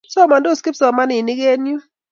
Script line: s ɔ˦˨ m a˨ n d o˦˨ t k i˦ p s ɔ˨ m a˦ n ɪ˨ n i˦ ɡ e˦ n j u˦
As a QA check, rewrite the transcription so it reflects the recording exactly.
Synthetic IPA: s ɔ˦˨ m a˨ n d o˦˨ s k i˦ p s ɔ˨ m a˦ n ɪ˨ n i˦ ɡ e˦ n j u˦